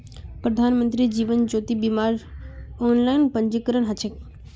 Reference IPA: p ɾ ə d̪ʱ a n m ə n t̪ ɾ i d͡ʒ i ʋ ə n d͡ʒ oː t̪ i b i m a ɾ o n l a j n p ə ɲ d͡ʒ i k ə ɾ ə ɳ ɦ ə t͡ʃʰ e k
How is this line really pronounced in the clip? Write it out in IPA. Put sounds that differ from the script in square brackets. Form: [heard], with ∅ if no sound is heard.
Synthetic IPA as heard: p ɾ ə d̪ʱ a n m ə n t̪ ɾ i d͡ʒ i ʋ ə n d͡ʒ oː t̪ i b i m a ɾ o n l a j n p ə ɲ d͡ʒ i k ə ɾ ə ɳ ɦ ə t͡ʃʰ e k